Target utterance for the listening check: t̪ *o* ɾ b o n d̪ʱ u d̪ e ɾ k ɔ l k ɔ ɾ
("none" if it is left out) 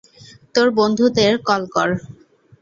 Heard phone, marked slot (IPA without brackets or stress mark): o